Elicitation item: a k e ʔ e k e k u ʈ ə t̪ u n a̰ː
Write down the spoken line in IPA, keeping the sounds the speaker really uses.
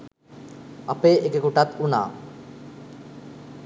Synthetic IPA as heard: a p e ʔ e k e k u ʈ a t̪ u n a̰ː